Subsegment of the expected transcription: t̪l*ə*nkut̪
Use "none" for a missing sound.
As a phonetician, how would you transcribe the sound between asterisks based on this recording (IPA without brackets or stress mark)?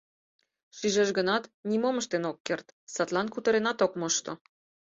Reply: ɑ